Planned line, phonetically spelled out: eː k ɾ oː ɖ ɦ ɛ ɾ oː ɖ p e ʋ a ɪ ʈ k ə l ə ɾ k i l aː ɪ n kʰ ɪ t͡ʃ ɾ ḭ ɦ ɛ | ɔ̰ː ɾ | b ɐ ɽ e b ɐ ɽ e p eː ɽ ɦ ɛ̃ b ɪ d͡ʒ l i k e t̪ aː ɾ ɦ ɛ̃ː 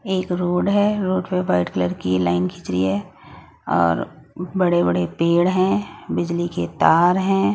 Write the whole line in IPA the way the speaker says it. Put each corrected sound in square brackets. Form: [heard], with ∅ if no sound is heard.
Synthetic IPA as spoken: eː k ɾ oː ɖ ɦ ɛ ɾ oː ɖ p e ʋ a ɪ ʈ k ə l ə ɾ k i l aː ɪ n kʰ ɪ t͡ʃ ɾ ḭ ɦ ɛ | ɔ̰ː ɾ | b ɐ ɽ e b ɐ ɽ e p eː ɽ ɦ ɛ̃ b ɪ d͡ʒ l i k e t̪ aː ɾ ɦ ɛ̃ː